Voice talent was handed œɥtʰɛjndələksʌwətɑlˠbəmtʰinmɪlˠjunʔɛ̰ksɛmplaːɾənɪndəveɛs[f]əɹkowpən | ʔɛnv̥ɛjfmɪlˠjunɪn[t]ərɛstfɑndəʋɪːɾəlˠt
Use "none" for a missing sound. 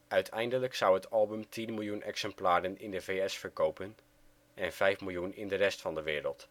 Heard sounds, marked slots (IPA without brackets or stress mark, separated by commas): f, d